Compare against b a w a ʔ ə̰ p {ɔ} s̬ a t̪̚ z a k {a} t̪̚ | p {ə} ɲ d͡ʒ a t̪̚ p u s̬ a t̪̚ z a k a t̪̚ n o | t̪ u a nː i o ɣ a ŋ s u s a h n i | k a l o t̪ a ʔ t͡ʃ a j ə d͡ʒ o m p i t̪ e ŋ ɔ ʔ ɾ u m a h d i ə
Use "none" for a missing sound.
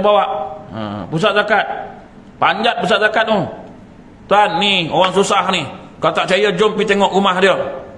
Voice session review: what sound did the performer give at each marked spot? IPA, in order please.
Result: u, a, a

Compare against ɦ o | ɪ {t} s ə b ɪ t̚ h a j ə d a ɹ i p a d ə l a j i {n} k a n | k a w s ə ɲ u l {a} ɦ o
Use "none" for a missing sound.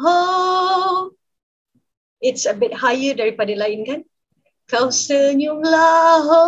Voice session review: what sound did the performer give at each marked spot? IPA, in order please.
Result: t, n, a

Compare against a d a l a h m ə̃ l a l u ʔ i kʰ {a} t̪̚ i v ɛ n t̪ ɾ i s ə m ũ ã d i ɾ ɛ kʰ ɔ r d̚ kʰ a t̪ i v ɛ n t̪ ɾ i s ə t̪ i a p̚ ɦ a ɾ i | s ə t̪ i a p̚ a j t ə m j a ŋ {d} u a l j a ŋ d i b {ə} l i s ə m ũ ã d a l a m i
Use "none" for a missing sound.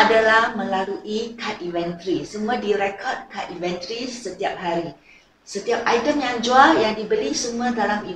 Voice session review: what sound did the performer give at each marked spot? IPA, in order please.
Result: a, d͡ʒ, ə

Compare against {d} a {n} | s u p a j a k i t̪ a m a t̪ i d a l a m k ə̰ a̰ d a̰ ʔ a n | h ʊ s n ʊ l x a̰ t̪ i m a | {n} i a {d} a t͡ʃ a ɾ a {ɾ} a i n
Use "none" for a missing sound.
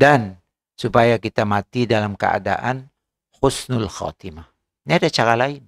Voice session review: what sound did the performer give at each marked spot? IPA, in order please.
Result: d, n, n, d, l

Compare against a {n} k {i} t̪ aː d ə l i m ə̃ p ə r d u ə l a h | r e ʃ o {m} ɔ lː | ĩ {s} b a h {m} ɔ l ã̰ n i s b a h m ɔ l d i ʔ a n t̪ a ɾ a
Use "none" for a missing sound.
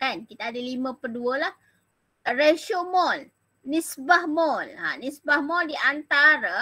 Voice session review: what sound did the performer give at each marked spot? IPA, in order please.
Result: n, i, m, s, m

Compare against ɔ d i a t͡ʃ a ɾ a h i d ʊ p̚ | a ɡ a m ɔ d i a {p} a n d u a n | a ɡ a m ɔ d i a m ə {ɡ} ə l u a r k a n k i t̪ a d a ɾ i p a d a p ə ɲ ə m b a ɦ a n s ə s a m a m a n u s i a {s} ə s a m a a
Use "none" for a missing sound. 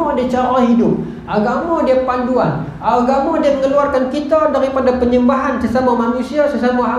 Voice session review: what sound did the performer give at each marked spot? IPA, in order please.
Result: p, ŋ, s

